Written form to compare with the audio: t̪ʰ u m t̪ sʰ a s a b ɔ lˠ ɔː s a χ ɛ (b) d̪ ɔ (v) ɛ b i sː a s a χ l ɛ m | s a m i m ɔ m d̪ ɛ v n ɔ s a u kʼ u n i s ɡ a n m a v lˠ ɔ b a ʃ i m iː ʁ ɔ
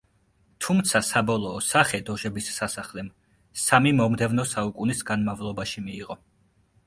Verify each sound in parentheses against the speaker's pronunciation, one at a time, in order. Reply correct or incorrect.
incorrect: none, incorrect: ʒ

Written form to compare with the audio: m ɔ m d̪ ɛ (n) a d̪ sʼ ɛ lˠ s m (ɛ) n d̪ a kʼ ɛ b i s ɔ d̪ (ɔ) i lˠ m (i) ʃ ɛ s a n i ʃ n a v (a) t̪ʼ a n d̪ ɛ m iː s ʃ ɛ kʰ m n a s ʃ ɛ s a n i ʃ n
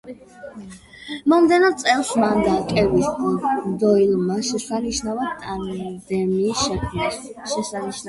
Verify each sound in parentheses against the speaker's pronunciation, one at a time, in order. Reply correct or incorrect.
correct, incorrect: a, correct, incorrect: a, correct

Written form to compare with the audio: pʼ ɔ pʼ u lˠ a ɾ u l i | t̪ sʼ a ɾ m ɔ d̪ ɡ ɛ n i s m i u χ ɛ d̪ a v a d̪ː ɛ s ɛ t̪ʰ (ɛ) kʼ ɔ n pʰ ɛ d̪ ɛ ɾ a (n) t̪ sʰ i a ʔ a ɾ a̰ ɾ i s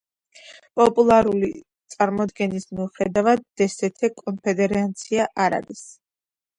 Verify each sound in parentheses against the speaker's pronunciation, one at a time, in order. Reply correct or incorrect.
correct, correct

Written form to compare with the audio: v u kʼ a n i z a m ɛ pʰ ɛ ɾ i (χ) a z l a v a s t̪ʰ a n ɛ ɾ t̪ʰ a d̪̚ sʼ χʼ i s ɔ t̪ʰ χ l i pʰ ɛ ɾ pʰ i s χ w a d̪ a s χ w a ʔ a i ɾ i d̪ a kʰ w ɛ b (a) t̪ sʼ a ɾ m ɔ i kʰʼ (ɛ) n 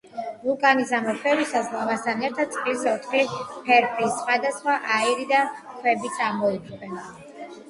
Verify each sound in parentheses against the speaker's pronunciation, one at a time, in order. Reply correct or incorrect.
incorrect: s, incorrect: i, correct

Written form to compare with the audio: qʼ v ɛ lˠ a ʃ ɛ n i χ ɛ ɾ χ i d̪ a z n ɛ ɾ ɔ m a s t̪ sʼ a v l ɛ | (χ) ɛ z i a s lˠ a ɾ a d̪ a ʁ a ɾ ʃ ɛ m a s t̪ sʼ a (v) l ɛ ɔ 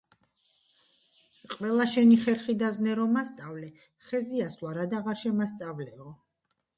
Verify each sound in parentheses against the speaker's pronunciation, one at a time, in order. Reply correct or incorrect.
correct, correct

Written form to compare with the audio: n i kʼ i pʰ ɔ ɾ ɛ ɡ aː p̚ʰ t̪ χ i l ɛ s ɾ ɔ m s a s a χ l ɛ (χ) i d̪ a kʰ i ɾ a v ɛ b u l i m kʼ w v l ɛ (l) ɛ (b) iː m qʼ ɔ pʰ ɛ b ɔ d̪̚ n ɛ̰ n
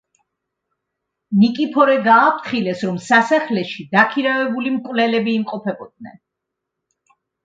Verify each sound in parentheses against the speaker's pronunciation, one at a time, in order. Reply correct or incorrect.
incorrect: ʃ, correct, correct

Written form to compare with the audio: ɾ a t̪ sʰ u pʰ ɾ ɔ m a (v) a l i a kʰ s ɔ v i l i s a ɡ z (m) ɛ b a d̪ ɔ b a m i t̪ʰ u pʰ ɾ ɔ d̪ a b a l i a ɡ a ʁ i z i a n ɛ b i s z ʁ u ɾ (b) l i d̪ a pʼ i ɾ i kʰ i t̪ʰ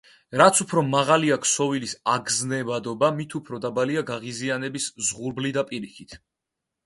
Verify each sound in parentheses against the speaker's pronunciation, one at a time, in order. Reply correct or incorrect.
incorrect: ʁ, incorrect: n, correct

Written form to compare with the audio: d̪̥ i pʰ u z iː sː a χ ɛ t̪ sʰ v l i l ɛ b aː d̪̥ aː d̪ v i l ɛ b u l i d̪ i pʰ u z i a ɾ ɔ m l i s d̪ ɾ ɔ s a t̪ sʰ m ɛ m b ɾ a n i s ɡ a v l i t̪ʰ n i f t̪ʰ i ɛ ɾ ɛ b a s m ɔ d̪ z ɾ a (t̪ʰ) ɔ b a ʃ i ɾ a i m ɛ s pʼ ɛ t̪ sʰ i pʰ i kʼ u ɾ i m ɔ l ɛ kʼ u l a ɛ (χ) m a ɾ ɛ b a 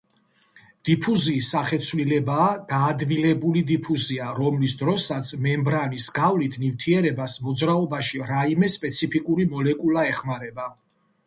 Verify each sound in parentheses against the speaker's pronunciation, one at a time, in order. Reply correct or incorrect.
incorrect: none, correct

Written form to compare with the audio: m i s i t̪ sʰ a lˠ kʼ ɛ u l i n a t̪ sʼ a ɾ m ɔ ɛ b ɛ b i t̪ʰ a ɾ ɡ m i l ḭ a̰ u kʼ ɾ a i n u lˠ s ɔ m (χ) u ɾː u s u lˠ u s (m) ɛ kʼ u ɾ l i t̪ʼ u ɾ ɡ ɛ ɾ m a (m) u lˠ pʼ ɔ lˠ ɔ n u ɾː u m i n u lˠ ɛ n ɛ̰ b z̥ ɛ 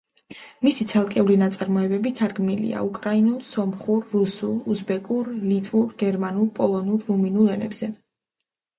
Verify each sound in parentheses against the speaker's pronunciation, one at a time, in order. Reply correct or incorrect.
correct, incorrect: b, incorrect: n

